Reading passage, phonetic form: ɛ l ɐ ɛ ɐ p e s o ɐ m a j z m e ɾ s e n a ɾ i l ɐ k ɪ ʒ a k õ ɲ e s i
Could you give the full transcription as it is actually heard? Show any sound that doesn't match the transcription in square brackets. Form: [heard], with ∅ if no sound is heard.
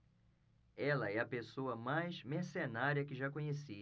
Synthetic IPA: ɛ l ɐ ɛ ɐ p e s o ɐ m a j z m e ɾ s e n a ɾ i [∅] ɐ k ɪ ʒ a k õ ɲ e s i